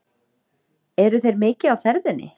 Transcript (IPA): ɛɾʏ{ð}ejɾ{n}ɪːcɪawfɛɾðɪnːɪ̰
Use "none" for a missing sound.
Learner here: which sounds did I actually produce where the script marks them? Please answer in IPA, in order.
θ, m

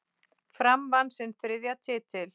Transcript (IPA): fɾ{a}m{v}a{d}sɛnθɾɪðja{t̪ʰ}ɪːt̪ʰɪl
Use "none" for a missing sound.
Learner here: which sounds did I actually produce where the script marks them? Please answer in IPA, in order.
a, v, n, t̪ʰ

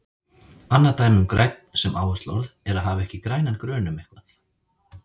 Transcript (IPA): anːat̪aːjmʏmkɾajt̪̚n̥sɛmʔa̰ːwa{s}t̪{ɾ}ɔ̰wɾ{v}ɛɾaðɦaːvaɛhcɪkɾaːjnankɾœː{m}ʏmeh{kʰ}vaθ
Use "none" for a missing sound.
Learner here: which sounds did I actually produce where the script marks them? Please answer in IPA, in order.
s, l, ð, n, k

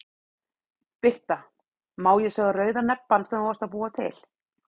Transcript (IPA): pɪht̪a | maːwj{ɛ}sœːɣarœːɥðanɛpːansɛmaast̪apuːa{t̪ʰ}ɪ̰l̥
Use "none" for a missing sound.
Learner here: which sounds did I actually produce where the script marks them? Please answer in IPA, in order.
ɛ, t̪ʰ

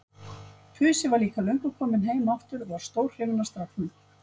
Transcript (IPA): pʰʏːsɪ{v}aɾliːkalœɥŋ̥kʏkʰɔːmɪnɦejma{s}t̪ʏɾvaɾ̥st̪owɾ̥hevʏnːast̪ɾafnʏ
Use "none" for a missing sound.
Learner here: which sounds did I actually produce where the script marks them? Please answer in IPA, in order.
v, f

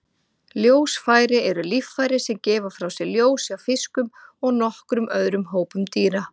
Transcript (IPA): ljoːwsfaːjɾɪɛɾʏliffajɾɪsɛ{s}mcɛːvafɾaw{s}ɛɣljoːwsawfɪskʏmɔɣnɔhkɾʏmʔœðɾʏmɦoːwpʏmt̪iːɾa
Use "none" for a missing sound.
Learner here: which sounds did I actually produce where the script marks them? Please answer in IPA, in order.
none, s

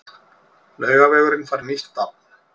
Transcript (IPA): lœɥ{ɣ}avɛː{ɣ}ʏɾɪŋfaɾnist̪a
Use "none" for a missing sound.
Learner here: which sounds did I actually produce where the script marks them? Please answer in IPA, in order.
ɣ, ɣ

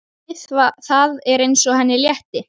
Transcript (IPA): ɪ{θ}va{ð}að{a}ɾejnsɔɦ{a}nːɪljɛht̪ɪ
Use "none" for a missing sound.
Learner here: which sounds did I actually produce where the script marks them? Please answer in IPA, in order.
θ, θ, ɛ, ɛ

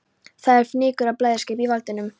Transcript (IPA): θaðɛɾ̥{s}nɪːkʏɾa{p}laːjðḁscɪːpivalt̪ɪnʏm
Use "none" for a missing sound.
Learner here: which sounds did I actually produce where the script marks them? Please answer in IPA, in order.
f, p

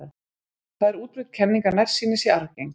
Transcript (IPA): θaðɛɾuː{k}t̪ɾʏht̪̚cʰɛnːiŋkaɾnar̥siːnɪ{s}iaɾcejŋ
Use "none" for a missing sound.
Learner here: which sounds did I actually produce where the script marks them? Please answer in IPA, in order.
none, s

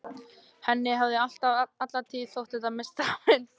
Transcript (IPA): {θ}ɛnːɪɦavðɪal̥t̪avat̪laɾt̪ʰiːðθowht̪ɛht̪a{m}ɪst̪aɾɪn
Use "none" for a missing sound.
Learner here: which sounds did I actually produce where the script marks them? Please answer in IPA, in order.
h, m

